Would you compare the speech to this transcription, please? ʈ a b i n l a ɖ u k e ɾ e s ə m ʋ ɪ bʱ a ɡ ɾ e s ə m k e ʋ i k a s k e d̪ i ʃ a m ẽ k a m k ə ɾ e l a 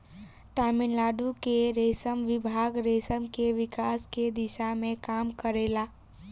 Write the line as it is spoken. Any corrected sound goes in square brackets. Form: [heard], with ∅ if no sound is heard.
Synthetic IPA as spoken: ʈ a [m] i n l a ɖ u k e ɾ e s ə m ʋ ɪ bʱ a ɡ ɾ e s ə m k e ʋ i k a s k e d̪ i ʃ a m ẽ k a m k ə ɾ e l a